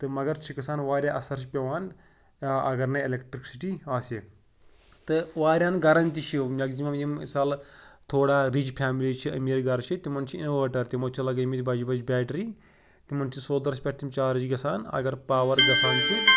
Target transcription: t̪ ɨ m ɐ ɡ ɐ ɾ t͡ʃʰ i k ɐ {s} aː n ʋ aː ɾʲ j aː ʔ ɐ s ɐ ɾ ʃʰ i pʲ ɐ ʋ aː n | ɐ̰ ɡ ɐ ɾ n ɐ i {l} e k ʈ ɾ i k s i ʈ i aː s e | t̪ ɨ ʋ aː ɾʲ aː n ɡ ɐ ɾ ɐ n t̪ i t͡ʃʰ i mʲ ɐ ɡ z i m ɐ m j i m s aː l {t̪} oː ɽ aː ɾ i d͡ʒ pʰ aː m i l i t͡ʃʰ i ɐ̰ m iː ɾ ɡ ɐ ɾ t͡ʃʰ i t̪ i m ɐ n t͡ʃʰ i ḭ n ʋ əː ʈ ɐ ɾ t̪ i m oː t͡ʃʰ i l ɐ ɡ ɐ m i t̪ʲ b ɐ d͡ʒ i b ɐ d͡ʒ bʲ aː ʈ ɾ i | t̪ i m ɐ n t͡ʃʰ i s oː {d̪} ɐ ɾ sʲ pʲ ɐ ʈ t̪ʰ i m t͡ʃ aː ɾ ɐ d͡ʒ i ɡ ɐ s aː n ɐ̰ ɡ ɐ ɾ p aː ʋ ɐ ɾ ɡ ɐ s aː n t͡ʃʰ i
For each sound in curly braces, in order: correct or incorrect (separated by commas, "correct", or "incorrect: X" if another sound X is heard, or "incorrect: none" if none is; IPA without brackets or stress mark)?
correct, correct, incorrect: t̪ʰ, correct